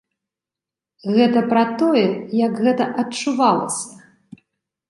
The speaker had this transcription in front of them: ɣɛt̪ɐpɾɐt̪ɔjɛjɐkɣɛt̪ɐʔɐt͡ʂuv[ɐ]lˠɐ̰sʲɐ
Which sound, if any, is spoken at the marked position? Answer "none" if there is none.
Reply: a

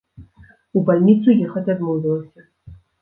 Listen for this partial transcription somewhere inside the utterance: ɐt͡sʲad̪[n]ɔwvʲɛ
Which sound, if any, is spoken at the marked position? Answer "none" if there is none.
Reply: m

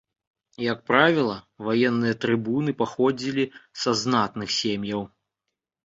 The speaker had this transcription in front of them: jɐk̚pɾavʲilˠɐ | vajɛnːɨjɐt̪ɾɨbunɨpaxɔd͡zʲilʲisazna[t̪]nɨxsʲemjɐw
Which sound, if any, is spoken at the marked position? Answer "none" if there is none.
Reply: t̪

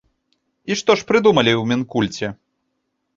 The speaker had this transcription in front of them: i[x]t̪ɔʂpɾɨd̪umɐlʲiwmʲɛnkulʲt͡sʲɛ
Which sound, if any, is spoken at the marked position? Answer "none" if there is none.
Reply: ʂ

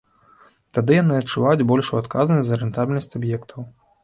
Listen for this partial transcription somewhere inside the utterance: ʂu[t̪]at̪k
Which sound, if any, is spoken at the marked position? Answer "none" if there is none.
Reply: none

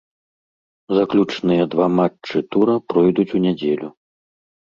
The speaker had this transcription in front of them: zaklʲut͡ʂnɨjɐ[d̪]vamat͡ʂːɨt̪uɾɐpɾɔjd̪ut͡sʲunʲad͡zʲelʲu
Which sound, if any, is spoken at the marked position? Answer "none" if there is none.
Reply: d̪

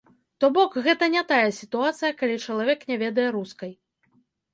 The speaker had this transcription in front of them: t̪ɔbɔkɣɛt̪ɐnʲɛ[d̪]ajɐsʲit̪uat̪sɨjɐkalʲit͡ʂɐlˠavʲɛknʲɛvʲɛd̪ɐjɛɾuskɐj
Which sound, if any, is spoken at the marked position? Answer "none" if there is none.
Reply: t̪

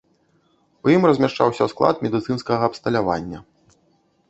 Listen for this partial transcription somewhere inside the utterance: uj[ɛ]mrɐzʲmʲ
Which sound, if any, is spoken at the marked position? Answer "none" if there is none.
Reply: i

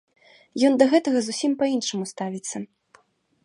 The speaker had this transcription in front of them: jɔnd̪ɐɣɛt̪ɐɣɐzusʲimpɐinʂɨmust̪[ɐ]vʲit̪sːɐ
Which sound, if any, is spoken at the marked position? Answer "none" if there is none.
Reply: a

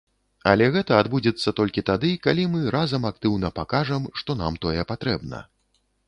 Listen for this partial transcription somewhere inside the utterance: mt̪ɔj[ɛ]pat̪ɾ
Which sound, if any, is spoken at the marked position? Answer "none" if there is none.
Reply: ɛ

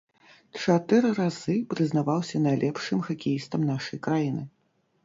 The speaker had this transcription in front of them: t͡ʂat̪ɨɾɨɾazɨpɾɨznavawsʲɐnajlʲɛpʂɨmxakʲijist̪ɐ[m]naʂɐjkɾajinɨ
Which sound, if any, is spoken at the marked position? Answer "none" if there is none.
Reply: m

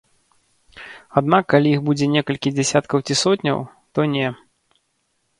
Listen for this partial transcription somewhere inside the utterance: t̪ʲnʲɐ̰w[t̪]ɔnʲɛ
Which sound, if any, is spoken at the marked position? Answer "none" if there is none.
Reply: t̪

